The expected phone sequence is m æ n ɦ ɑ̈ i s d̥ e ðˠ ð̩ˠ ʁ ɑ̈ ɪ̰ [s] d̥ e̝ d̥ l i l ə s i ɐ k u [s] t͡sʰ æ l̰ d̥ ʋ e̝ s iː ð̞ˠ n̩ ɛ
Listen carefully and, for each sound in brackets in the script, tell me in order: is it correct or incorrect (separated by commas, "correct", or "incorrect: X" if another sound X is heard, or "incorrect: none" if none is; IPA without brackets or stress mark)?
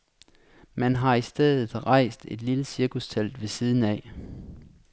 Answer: correct, correct